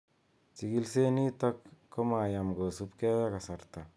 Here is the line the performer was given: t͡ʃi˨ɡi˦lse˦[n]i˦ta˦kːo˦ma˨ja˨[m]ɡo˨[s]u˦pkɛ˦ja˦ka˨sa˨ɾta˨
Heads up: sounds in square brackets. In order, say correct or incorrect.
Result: correct, correct, correct

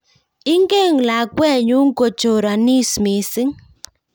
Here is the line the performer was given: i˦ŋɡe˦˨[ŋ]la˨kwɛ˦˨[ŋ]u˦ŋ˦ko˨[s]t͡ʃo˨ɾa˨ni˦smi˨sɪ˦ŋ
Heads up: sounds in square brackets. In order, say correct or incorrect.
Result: correct, incorrect: ɲ, incorrect: none

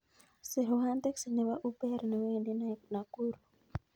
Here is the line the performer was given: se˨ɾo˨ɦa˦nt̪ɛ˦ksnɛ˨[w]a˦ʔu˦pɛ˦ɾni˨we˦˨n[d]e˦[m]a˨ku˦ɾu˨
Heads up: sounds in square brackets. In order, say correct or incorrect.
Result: correct, correct, incorrect: n

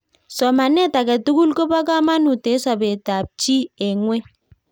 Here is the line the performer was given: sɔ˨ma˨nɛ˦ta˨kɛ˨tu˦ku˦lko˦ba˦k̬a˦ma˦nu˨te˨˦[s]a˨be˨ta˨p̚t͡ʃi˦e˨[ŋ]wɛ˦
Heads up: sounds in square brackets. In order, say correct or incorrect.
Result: correct, correct

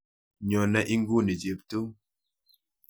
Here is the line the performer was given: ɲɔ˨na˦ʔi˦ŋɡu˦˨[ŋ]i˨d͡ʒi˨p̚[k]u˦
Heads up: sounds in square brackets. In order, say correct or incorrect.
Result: incorrect: n, incorrect: t

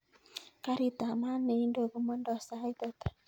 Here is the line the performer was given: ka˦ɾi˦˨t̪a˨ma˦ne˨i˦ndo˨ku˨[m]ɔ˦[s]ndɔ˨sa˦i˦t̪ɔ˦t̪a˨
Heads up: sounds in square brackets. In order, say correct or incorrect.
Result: correct, incorrect: none

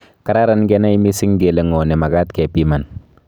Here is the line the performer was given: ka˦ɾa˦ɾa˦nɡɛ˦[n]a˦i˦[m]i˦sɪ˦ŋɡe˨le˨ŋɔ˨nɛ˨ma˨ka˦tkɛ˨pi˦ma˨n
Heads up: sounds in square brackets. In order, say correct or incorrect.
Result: correct, correct

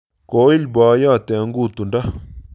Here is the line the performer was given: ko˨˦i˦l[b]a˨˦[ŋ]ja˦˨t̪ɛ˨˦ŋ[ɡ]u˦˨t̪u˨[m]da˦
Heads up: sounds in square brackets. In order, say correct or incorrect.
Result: correct, incorrect: none, correct, incorrect: n

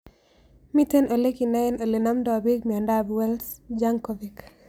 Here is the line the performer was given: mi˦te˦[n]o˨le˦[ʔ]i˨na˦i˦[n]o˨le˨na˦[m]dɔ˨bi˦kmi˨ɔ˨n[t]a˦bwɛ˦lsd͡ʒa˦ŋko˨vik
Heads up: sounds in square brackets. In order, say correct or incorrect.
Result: correct, incorrect: k, correct, correct, incorrect: d

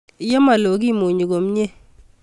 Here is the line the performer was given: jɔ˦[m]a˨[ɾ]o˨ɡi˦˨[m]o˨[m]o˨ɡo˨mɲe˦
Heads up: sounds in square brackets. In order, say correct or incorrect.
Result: correct, incorrect: l, correct, incorrect: ɲ

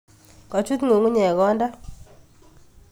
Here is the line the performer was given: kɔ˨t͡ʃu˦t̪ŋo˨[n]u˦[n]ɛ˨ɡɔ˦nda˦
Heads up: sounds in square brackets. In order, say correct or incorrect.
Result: incorrect: ŋ, incorrect: ɲ

